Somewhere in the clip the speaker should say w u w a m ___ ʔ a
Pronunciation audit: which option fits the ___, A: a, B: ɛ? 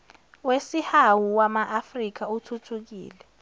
A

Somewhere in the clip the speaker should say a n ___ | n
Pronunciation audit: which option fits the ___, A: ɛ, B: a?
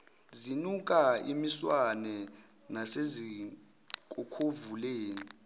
A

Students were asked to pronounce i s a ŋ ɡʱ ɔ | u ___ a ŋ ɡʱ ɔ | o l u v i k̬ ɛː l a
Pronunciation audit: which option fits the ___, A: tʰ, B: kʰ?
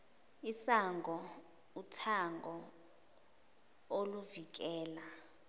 A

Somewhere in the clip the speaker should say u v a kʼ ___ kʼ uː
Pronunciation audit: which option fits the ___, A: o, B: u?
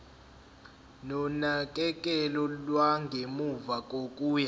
A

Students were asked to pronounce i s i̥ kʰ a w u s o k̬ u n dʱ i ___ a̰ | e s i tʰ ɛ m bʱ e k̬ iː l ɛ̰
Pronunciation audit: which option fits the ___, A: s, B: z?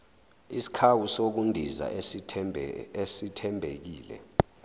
B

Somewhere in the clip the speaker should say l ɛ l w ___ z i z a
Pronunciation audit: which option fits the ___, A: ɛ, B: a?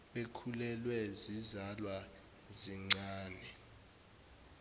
A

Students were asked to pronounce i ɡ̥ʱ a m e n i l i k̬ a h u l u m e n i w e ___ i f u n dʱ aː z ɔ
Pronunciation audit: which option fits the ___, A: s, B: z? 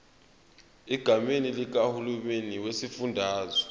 A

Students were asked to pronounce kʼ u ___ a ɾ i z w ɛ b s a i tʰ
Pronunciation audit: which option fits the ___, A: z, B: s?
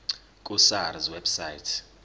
B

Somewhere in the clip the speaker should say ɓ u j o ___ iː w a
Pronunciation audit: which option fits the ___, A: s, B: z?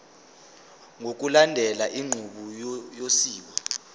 A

